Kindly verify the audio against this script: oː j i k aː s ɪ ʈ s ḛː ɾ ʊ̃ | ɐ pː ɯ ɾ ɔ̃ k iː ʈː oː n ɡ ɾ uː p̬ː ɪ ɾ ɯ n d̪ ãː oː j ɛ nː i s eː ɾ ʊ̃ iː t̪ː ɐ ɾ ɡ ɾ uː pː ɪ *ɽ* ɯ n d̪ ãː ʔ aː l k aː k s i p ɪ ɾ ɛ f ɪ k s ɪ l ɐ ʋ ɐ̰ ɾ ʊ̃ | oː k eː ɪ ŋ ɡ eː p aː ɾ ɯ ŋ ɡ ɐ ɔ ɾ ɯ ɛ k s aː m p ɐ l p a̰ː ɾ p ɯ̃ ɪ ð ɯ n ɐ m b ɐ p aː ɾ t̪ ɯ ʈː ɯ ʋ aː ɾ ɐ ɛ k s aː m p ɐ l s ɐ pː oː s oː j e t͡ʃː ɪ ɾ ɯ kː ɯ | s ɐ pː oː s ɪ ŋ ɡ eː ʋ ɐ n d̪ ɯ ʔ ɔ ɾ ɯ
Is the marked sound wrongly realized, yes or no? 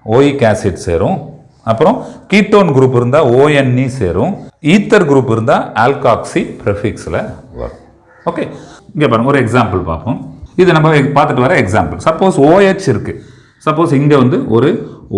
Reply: yes